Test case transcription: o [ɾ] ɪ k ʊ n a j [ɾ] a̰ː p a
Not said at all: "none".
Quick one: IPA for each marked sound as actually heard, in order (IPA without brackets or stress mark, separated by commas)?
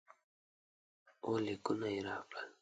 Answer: l, ɾ